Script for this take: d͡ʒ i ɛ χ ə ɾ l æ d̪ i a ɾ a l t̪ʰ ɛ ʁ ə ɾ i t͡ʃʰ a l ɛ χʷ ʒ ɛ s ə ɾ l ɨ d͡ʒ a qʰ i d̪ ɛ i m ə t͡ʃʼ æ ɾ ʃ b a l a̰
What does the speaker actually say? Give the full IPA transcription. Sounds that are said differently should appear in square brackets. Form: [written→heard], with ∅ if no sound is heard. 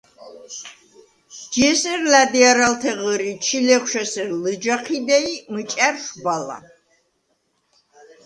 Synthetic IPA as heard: d͡ʒ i ɛ [χ→s] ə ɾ l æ d̪ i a ɾ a l t̪ʰ ɛ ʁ ə ɾ i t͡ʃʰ [a→i] l ɛ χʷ [ʒ→ʃ] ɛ s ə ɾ l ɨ d͡ʒ a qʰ i d̪ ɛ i m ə t͡ʃʼ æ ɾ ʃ b a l a̰